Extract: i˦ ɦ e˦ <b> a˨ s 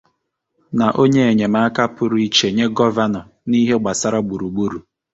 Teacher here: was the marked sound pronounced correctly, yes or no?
no